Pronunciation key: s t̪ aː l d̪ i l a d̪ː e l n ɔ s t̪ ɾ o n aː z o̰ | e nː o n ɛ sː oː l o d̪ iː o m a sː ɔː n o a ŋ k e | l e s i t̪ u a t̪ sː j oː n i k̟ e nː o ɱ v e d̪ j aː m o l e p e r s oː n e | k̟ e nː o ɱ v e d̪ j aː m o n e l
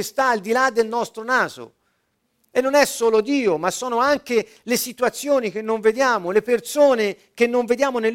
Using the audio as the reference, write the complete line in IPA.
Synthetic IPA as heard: s t̪ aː l d̪ i l a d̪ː e l n ɔ s t̪ ɾ o n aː z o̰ | e nː o n ɛ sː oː l o d̪ iː o m a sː ɔː n o a ŋ k e | l e s i t̪ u a t̪ sː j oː n i k̟ e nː o ɱ v e d̪ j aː m o l e p e r s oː n e | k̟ e nː o ɱ v e d̪ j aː m o n e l